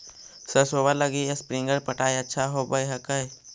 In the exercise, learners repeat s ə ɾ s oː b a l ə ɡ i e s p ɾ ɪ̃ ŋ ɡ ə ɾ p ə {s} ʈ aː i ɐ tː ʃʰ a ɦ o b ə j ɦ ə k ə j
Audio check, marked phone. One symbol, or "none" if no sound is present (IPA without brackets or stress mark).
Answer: none